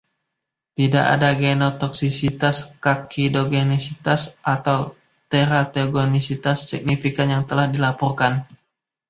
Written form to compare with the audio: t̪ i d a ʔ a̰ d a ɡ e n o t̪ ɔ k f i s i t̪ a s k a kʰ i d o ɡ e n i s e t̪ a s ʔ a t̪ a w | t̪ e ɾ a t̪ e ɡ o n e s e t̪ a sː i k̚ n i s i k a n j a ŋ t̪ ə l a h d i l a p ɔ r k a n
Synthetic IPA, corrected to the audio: t̪ i d a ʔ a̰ d a ɡ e n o t̪ ɔ k s i s i t̪ a s k a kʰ i d o ɡ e n i s i t̪ a s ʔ a t̪ a w | t̪ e ɾ a t̪ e ɡ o n i s i t̪ a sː i k̚ n i f i k a n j a ŋ t̪ ə l a h d i l a p ɔ r k a n